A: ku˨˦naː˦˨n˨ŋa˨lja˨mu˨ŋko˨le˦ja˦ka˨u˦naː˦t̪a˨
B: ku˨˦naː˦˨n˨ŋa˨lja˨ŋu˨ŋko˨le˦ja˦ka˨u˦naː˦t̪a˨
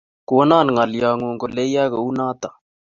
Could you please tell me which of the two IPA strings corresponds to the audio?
B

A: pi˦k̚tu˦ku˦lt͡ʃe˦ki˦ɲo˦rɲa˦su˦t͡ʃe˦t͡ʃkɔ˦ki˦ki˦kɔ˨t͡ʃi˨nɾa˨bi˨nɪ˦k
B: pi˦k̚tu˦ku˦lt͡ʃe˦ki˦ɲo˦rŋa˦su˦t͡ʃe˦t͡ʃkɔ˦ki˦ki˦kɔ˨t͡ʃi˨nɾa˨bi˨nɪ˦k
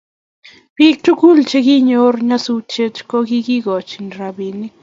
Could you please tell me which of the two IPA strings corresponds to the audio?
A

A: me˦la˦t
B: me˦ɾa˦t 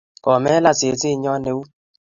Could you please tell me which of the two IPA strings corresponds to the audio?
A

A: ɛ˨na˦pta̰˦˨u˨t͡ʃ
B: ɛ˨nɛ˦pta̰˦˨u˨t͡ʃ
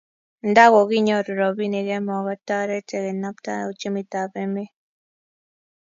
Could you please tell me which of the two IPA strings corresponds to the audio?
A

